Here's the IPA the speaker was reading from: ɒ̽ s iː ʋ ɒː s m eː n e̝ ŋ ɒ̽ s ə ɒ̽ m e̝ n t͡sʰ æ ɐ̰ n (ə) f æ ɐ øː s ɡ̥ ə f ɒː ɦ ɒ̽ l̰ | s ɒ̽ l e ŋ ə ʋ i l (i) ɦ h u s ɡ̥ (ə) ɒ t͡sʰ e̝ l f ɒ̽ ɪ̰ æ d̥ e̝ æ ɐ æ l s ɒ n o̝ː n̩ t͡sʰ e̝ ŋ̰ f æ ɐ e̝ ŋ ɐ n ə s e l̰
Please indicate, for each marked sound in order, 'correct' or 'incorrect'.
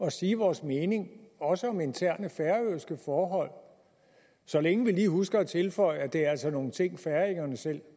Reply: correct, incorrect, incorrect

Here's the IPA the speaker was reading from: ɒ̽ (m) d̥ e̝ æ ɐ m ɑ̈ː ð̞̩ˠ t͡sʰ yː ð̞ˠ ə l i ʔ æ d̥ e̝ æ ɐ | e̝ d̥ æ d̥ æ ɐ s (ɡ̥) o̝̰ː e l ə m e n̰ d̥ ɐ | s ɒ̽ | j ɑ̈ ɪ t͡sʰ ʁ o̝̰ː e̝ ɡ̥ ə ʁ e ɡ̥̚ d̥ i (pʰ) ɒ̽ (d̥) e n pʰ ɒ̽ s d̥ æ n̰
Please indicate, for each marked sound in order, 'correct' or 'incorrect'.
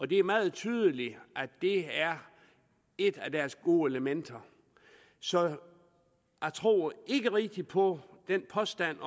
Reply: incorrect, correct, correct, correct

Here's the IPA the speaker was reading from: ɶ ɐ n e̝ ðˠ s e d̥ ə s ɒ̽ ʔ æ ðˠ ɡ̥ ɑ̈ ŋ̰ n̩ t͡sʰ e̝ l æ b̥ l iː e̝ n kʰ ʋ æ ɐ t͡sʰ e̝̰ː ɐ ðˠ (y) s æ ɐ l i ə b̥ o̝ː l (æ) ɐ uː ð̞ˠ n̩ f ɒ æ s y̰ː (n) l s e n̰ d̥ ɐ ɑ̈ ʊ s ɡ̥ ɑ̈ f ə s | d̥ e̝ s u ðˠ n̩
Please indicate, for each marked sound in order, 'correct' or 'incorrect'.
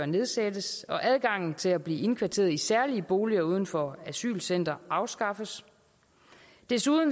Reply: incorrect, incorrect, incorrect

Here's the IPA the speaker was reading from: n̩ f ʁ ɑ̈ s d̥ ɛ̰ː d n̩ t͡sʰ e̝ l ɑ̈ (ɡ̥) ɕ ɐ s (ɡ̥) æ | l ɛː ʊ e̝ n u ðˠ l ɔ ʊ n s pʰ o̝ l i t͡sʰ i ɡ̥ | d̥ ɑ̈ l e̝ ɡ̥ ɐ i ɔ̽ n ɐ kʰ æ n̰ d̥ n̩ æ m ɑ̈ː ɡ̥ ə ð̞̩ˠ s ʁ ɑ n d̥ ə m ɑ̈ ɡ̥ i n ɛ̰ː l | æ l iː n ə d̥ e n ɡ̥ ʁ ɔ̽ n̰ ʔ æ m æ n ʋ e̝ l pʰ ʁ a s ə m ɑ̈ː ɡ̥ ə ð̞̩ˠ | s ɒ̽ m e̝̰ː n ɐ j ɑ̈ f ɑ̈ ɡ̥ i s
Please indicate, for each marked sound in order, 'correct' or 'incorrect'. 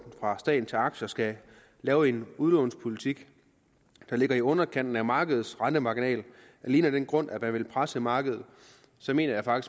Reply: correct, correct

